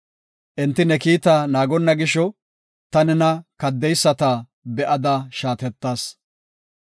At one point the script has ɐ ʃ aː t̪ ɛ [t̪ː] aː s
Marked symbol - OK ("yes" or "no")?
yes